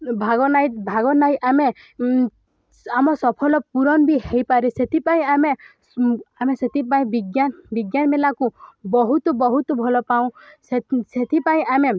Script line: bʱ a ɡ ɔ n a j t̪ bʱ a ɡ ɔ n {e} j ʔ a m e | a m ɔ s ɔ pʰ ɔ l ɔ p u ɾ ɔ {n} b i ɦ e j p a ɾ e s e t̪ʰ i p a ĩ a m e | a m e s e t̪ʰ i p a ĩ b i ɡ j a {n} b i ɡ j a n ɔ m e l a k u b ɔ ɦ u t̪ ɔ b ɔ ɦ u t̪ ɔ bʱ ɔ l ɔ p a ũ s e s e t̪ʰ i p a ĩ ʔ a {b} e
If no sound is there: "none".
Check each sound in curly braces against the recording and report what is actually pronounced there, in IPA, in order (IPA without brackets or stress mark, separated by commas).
a, n, n, m